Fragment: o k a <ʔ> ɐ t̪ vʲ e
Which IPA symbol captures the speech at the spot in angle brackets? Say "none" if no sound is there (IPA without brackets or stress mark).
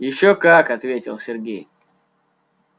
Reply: k